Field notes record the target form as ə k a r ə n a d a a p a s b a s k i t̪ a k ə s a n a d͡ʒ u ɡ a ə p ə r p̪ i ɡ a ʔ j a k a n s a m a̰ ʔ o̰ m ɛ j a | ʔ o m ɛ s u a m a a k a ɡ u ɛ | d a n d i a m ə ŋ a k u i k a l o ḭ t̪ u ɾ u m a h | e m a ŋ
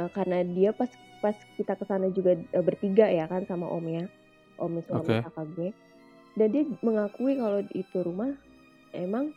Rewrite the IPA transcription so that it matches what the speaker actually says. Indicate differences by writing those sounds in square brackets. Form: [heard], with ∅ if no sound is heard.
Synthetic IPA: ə k a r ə n a d [i] a p a s [p] a s k i t̪ a k ə s a n a d͡ʒ u ɡ a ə [b] ə r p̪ i ɡ a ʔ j a k a n s a m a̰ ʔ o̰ m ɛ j a | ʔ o m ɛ s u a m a a k a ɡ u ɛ | d a n d i a m ə ŋ a k u i k a l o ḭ t̪ u ɾ u m a h | e m a ŋ